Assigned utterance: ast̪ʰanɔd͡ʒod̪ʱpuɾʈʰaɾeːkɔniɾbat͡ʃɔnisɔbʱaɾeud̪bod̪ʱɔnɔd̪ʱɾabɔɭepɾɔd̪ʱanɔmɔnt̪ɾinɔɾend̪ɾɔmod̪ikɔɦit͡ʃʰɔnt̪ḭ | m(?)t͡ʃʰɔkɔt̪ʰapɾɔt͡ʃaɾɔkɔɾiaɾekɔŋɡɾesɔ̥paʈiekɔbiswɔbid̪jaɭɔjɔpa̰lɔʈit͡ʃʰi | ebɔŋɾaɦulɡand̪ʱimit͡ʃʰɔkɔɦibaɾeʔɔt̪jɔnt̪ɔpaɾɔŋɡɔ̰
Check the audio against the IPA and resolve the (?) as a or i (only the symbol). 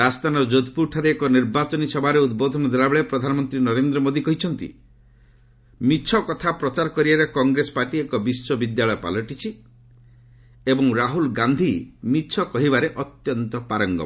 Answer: i